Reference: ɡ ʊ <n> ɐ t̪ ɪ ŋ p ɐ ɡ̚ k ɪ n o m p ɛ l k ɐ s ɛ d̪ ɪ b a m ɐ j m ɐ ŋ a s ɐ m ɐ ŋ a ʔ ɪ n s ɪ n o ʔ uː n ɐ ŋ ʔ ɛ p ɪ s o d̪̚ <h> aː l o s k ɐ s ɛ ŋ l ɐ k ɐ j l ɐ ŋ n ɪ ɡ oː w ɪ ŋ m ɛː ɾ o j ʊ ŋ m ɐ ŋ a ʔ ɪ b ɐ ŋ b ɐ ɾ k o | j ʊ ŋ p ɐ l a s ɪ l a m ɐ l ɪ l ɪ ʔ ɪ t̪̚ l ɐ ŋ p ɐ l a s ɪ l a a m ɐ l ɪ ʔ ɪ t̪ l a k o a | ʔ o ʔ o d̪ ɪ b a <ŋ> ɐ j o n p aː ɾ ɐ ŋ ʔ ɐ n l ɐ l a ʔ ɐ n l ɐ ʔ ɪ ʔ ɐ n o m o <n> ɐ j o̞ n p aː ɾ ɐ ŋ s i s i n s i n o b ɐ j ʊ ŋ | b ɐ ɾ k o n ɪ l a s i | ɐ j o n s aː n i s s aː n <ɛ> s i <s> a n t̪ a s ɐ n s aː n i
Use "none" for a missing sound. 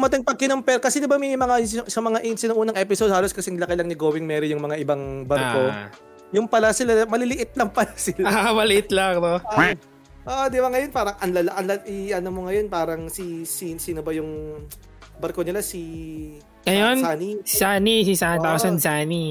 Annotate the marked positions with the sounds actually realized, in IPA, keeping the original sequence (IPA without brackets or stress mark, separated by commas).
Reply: m, h, ŋ, ŋ, i, s